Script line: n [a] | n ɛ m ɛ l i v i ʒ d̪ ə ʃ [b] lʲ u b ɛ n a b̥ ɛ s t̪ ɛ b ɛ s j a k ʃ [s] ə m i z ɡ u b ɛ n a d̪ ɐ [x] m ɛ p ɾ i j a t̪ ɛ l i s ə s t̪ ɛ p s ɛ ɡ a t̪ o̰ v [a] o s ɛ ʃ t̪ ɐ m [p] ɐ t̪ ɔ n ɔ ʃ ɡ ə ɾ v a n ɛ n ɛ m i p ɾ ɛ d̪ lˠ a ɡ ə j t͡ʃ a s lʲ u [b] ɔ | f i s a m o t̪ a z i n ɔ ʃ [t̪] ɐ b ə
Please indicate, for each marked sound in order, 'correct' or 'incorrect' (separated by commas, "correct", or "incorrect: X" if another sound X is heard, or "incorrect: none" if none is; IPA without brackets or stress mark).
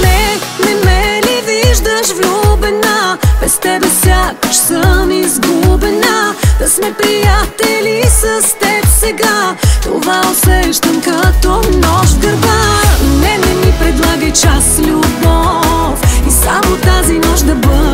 incorrect: ɛ, incorrect: v, correct, incorrect: s, correct, incorrect: k, correct, incorrect: d̪